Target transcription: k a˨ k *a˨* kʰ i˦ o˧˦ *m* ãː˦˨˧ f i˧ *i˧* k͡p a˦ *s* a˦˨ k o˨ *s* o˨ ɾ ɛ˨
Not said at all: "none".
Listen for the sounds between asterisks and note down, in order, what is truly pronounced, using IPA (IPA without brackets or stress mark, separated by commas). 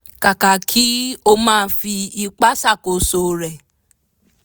a˨, m, i˧, s, s